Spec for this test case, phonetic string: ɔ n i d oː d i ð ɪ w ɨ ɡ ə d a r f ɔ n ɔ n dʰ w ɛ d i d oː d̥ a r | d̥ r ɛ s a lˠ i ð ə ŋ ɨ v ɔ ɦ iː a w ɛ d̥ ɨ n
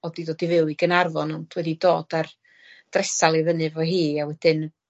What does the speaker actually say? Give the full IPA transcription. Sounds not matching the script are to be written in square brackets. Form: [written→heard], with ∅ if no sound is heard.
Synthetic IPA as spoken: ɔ [n→d] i d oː d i [ð→v] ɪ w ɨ ɡ ə [d→n] a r [f→v] ɔ n ɔ n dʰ w ɛ d i d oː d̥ a r | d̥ r ɛ s a lˠ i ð ə [ŋ→n] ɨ v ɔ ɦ iː a w ɛ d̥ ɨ n